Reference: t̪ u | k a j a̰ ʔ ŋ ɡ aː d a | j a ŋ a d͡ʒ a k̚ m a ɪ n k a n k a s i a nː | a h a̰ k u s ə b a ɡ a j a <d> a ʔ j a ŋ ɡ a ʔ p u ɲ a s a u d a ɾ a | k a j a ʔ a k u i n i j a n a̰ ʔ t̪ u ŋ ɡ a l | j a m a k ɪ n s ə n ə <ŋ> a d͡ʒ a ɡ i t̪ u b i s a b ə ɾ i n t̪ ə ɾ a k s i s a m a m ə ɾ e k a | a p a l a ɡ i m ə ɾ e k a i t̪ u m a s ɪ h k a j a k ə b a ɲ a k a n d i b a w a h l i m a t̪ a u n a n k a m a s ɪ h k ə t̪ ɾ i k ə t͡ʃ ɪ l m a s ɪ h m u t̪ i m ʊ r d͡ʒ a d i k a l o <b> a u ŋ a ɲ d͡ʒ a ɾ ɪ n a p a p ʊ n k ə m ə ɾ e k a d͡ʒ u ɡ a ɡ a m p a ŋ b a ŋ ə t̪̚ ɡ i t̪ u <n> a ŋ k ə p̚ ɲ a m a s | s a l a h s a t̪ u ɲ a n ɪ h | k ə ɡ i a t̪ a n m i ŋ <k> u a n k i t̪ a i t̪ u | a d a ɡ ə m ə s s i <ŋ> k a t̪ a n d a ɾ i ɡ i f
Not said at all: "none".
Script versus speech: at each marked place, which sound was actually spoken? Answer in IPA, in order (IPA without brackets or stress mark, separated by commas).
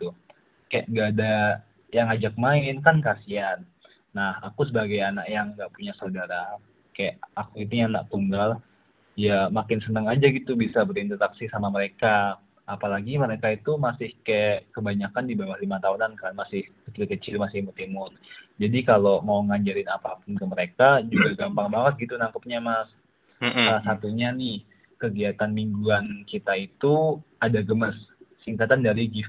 n, ŋ, m, n, ɡ, ŋ